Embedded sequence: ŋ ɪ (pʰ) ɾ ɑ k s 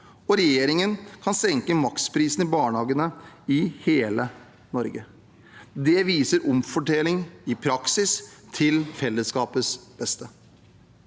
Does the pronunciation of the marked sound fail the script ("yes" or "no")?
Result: no